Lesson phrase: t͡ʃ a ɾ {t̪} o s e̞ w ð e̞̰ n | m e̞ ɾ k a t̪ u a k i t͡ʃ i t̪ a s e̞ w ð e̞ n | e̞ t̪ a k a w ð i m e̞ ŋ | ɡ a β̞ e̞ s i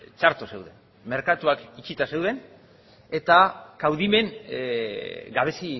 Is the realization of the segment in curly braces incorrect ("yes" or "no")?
no